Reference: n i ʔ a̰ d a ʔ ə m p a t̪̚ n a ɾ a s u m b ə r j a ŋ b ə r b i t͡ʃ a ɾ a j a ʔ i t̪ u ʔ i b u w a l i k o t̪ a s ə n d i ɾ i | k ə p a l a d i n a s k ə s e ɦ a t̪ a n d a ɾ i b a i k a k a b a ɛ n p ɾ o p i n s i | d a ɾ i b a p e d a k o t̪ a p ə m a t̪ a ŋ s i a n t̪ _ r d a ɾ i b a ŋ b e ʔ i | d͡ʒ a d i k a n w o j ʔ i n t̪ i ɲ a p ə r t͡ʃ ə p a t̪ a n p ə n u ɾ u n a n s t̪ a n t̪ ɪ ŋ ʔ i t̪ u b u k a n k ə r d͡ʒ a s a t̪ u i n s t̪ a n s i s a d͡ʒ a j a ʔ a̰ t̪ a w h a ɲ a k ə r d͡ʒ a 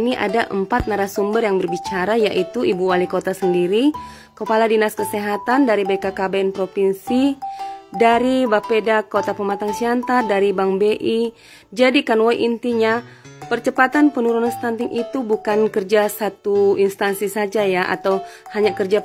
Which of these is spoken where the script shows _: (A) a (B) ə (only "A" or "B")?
A